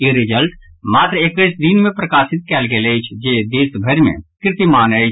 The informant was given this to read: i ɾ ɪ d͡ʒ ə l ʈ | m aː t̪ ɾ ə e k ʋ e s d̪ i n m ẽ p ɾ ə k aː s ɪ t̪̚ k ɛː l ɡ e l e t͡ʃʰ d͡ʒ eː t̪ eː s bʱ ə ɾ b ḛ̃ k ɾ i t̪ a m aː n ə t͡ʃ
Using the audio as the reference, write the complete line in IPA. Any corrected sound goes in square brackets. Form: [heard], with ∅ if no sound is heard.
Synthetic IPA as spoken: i ɾ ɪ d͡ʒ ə l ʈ | m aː t̪ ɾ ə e k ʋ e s d̪ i n m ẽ p ɾ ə k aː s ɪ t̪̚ k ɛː l ɡ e l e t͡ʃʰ d͡ʒ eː [d̪] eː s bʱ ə ɾ [m] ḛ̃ k ɾ [ɪ] t̪ [i] m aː n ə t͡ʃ